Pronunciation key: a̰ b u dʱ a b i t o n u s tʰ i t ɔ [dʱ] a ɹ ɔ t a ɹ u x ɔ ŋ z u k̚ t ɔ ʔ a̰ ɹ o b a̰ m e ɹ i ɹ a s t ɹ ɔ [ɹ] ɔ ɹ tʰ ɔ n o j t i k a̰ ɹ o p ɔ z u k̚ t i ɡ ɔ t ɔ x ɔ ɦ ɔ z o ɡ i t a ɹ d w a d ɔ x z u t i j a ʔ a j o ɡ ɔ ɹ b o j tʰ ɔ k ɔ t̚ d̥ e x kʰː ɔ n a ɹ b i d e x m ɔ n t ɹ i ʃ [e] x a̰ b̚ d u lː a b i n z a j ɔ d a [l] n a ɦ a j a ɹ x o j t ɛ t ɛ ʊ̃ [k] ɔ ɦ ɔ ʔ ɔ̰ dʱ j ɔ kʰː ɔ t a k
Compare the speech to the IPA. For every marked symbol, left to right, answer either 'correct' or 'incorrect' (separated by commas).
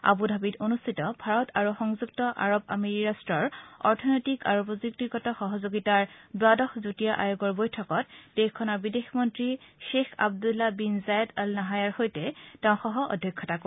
incorrect, correct, correct, correct, incorrect